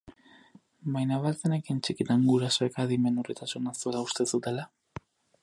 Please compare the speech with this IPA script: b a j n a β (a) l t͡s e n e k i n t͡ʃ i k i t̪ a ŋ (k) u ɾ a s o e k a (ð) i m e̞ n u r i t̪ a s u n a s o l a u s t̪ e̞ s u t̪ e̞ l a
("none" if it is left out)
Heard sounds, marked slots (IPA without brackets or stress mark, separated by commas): a, ɡ, ð